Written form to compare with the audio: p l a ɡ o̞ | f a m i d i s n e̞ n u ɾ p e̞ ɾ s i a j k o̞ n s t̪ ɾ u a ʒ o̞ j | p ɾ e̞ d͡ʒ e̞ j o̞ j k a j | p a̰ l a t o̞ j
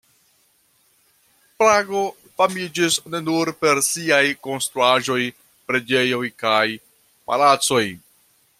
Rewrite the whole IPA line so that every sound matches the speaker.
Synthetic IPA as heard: p ɾ a ɡ o̞ | f a m i d͡ʒ i s n e̞ n u ɾ p e̞ ɾ s i a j k o̞ n s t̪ ɾ u a ʒ o̞ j | p ɾ e̞ d͡ʒ e̞ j o̞ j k a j | p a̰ l a t͡s o̞ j